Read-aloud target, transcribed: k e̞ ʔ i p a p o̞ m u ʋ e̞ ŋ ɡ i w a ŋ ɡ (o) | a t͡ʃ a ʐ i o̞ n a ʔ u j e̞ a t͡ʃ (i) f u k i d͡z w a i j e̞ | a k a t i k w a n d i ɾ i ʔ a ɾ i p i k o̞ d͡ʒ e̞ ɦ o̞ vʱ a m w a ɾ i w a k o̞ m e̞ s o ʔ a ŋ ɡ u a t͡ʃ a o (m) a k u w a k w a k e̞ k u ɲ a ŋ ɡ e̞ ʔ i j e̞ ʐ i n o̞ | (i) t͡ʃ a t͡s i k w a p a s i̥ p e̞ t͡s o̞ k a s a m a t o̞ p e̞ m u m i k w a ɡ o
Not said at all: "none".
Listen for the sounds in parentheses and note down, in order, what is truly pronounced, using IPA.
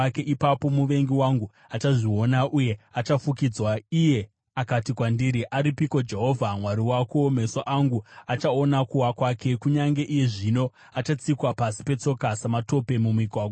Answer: u, a, n, a

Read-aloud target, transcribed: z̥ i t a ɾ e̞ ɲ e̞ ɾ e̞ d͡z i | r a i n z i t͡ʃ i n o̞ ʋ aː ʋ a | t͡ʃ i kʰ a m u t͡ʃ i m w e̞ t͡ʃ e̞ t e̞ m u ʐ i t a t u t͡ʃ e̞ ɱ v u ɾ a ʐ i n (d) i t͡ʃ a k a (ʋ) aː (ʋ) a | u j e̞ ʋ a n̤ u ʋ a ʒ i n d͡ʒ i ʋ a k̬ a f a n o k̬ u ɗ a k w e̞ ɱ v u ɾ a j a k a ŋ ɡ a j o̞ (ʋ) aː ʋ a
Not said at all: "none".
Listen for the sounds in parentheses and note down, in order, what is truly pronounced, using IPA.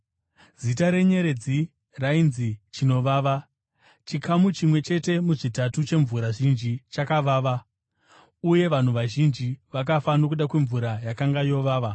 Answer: d͡ʒ, ʋ, ʋ, ʋ

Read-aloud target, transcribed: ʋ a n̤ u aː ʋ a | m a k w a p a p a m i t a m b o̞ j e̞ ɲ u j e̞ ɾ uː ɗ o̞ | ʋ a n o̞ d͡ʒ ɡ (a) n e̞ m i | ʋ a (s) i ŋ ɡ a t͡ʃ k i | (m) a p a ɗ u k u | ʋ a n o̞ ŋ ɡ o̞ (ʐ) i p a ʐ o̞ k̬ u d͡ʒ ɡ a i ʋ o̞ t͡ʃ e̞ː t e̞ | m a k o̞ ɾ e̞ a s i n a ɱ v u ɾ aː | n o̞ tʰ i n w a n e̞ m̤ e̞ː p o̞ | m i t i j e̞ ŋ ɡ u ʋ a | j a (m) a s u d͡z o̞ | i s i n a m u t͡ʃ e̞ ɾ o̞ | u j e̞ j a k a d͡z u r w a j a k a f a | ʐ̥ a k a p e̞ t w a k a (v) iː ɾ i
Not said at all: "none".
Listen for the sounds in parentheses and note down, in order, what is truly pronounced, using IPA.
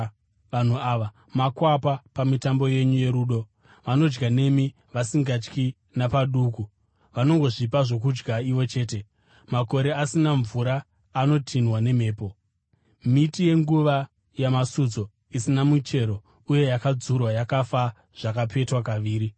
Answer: a, s, n, ʐ, m, ʋ

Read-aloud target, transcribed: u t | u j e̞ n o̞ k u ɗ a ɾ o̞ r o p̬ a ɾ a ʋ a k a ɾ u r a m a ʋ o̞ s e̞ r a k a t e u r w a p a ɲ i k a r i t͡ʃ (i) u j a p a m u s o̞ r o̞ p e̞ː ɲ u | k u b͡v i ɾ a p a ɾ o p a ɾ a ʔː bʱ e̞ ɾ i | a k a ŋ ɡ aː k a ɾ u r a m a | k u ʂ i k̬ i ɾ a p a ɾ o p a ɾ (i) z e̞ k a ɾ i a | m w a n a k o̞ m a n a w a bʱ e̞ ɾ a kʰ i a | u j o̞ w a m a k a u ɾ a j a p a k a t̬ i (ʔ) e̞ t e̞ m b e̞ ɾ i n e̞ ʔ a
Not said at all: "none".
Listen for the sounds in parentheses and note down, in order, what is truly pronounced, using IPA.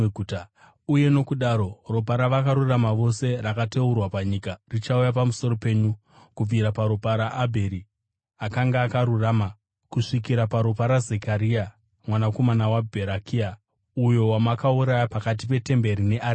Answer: a, a, p

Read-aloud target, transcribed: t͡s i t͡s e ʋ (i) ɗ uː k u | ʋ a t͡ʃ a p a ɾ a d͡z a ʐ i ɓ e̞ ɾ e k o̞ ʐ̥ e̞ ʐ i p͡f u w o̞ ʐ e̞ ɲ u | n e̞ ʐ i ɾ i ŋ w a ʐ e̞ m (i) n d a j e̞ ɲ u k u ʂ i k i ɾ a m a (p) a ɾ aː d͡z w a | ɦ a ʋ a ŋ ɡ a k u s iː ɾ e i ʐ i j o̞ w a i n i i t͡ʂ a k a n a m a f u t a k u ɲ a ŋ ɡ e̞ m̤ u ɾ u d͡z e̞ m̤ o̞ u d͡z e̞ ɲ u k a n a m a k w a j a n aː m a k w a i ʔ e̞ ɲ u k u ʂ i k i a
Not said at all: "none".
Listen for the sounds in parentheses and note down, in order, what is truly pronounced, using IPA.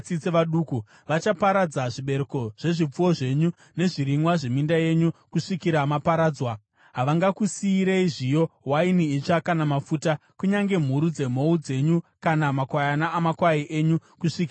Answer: a, i, p

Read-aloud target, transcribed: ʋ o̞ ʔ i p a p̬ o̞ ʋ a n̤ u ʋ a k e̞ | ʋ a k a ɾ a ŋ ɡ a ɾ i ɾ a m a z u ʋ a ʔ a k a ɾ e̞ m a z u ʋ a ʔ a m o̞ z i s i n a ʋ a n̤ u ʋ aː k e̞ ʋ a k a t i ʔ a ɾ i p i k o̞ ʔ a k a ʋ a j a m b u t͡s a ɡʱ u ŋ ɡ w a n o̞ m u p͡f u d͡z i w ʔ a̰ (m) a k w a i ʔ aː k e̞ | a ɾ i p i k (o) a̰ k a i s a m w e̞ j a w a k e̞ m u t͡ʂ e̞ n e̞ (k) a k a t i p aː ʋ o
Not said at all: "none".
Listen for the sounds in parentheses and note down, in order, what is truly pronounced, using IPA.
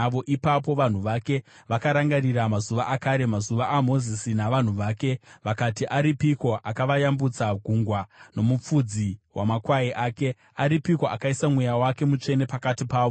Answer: m, o, p

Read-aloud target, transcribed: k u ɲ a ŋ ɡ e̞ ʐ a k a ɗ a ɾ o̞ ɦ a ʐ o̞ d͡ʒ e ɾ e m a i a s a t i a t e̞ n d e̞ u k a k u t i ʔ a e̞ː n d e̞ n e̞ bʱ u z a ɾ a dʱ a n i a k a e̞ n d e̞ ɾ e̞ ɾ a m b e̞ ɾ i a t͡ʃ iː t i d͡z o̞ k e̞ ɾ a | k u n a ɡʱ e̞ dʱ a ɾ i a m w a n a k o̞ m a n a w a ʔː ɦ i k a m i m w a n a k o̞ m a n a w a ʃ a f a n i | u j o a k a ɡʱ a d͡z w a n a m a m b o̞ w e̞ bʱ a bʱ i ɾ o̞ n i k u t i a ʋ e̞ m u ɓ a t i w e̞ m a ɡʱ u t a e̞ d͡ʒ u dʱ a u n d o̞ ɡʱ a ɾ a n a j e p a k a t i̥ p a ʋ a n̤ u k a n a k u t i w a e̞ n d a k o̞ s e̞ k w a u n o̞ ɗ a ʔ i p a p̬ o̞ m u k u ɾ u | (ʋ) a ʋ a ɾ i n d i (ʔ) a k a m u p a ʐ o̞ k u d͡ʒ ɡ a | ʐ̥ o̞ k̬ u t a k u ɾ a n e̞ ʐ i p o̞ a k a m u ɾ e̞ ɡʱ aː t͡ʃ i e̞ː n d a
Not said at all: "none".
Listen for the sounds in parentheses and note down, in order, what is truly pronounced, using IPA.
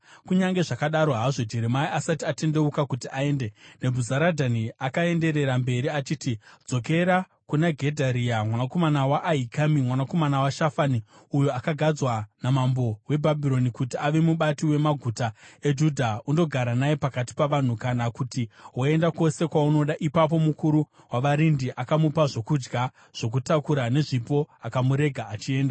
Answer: w, ʔ

